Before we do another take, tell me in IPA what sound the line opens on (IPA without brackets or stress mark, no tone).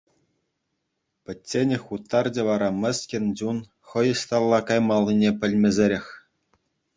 pʲ